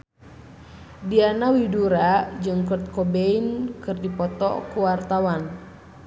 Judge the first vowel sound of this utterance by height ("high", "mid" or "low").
high